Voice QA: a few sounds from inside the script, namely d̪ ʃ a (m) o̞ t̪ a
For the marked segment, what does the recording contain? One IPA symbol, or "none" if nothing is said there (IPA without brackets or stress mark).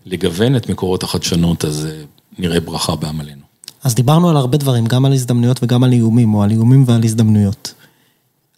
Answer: n